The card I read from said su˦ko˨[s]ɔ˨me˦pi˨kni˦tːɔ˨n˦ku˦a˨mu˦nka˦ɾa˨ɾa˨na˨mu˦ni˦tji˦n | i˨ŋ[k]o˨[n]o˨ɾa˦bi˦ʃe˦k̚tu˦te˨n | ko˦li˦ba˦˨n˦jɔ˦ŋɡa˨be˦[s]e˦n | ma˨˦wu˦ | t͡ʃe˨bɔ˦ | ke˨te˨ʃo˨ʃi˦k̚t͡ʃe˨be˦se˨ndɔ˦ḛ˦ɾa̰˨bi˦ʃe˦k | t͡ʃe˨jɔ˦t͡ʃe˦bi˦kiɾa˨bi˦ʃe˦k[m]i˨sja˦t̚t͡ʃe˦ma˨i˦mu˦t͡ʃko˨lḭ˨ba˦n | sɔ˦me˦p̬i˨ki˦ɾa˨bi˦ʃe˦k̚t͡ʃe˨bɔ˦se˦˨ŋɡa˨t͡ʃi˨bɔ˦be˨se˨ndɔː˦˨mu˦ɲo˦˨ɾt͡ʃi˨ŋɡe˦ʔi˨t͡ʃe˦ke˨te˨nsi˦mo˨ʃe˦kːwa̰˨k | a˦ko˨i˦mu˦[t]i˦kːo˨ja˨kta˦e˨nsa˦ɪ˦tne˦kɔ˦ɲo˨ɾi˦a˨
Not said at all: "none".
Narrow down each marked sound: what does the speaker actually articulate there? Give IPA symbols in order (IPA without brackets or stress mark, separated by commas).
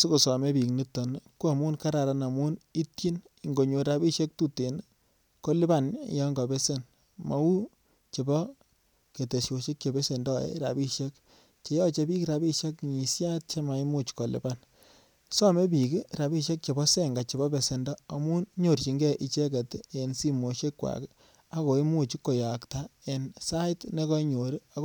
s, ɡ, ɲ, s, ɲ, t͡ʃ